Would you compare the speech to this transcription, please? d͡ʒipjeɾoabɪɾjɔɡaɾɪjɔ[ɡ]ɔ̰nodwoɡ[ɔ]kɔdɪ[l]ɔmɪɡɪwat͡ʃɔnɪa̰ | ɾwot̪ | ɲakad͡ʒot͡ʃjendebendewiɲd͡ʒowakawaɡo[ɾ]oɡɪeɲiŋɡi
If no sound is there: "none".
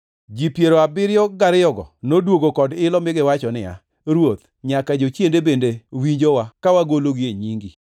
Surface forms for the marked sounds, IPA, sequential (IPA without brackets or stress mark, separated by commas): ɡ, o, l, l